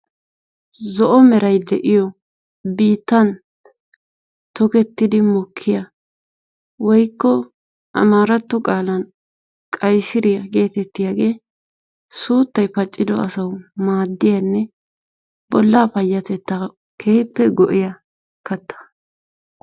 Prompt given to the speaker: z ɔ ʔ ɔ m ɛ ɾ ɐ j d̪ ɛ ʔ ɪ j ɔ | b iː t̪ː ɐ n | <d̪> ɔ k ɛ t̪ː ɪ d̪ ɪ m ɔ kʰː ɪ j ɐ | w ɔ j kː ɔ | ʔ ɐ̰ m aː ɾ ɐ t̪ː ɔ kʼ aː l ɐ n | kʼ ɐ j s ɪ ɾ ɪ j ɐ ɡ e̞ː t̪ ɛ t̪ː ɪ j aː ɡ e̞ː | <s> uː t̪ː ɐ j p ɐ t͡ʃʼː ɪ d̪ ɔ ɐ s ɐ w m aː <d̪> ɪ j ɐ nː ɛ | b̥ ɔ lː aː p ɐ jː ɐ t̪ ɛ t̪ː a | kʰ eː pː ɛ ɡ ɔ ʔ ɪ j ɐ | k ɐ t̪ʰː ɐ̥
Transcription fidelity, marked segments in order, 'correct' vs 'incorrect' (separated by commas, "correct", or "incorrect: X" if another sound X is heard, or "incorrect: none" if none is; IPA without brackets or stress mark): incorrect: t̪, correct, incorrect: d̪ː